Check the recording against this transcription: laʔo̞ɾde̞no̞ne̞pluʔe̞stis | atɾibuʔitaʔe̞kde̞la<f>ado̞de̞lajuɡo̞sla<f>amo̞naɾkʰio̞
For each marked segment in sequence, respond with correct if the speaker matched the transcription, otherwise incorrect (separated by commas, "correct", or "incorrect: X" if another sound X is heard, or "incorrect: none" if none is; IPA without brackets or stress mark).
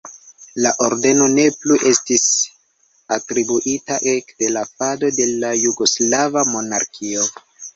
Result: correct, incorrect: v